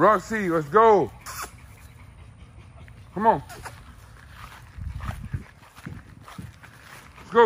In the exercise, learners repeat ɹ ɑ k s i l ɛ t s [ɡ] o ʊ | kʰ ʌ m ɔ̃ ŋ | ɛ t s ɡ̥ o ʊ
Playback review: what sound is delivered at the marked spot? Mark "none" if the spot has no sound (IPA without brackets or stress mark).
ɡ